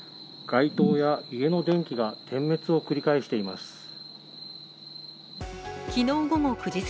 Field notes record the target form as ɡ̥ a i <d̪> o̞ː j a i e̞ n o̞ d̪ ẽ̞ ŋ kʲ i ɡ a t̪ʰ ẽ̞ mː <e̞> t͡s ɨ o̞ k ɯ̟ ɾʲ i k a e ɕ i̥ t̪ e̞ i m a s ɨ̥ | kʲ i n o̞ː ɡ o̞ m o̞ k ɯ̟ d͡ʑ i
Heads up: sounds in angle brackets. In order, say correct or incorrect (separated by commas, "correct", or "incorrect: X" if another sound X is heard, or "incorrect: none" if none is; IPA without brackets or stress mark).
incorrect: t̪, correct